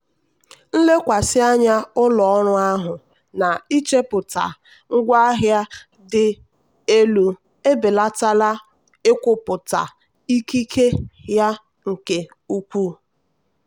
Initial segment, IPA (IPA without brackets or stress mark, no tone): n̩